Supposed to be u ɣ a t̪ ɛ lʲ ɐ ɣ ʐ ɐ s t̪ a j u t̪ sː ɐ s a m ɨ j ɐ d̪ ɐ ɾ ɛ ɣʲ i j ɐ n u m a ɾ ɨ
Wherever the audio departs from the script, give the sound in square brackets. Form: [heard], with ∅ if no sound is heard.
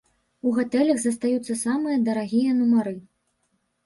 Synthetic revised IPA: u ɣ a t̪ ɛ lʲ ɐ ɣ [z] ɐ s t̪ a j u t̪ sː ɐ s a m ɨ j ɐ d̪ ɐ ɾ [a] ɣʲ i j ɐ n u m a ɾ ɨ